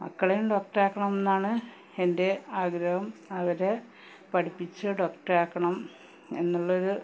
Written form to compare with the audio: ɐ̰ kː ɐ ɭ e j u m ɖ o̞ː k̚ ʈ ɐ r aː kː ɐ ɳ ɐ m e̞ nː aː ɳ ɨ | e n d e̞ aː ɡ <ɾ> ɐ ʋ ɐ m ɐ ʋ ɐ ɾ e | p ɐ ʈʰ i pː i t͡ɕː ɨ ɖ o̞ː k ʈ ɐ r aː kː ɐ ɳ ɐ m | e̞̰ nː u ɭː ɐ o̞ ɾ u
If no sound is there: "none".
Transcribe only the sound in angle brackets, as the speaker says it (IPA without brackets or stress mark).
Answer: ɾ